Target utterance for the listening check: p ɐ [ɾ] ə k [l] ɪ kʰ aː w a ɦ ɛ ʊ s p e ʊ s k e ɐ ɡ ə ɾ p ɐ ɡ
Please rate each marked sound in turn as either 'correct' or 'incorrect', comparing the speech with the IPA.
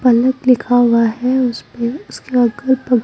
incorrect, correct

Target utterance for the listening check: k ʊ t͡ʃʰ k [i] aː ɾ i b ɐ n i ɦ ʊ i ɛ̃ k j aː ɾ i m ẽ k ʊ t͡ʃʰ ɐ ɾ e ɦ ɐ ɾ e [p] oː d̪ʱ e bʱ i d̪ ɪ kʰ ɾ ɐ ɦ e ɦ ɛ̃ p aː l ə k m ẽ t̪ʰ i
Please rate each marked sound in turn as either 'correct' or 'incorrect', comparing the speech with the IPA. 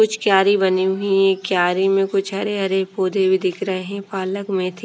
incorrect, correct

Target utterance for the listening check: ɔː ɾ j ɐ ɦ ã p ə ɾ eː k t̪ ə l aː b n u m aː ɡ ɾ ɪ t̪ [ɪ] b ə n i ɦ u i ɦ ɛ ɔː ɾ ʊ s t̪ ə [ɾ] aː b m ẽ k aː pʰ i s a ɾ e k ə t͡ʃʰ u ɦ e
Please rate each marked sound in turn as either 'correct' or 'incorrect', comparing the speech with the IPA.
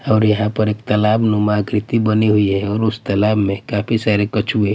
incorrect, incorrect

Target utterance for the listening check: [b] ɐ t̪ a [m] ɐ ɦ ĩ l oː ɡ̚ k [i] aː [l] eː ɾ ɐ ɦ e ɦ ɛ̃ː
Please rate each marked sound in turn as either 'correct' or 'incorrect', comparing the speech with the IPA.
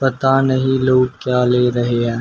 incorrect, incorrect, incorrect, correct

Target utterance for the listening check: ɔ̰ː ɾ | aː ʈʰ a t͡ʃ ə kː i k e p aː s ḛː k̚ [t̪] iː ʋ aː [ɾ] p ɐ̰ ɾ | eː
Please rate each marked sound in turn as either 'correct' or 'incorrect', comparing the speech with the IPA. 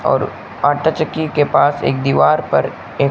incorrect, correct

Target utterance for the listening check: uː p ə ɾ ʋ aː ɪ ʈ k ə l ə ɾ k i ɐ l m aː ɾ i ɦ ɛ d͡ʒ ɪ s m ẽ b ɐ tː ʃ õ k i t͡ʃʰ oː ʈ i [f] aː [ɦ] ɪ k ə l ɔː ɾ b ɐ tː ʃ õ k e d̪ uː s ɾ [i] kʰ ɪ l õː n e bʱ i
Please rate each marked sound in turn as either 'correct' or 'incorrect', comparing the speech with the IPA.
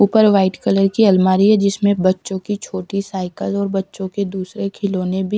incorrect, incorrect, incorrect

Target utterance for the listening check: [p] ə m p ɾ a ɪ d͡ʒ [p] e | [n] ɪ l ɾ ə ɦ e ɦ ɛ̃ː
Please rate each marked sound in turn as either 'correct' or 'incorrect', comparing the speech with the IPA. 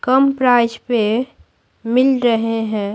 incorrect, correct, incorrect

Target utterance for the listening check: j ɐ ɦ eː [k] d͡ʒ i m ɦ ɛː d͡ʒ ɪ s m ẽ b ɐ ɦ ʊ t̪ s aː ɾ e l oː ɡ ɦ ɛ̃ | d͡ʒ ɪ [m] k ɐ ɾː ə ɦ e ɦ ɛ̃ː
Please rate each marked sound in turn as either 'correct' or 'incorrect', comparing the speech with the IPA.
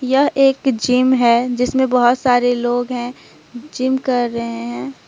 correct, correct

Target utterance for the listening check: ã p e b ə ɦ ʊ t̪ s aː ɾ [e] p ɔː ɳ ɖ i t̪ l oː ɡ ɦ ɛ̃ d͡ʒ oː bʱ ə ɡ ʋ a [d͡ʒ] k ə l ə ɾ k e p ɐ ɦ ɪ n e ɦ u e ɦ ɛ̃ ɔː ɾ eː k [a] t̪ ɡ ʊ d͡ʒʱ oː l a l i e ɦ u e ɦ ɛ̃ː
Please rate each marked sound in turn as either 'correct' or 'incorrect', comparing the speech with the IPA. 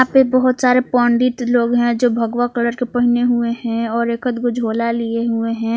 correct, incorrect, incorrect

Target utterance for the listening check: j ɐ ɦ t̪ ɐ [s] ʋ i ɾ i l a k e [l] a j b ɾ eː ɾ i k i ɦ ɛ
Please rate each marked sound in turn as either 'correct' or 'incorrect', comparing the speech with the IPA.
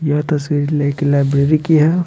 correct, correct

